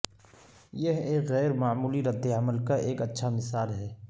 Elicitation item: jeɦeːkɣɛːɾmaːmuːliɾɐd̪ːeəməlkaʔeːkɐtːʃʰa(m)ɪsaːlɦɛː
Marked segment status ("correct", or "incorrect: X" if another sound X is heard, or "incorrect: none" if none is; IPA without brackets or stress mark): correct